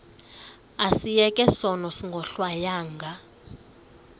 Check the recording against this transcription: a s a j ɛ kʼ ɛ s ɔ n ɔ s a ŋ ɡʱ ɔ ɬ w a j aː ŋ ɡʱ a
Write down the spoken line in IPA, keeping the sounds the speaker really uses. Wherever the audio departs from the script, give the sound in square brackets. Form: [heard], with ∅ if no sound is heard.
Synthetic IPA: a s [i] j ɛ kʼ ɛ s ɔ n ɔ s [i] ŋ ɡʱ ɔ ɬ w a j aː ŋ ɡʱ a